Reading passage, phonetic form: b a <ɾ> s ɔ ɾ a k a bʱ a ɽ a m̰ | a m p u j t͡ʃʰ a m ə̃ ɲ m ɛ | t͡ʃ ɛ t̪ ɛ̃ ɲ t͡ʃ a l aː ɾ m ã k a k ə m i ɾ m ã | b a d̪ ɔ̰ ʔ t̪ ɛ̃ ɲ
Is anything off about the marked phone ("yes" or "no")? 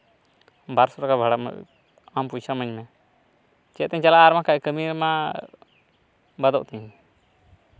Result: no